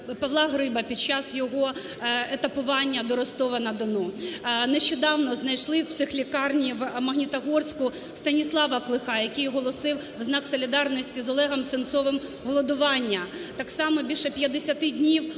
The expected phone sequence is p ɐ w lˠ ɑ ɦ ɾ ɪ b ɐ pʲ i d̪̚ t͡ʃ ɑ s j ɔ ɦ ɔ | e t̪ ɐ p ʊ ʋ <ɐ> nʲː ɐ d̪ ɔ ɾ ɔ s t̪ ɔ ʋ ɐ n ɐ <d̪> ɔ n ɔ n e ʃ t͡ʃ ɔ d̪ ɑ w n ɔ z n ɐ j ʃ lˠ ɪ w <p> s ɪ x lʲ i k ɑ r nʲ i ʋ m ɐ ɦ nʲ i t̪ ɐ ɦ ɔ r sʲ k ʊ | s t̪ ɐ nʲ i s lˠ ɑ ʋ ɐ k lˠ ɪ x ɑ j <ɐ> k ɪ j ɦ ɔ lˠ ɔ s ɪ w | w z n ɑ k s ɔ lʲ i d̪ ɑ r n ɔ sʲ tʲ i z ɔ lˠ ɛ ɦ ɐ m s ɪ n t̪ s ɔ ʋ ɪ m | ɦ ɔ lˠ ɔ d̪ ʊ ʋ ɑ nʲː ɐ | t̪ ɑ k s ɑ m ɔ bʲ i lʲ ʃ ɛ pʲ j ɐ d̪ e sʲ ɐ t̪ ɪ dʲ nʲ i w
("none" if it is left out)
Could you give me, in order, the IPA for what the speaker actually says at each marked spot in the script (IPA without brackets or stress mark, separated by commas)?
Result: ɑ, d̪, p, ɐ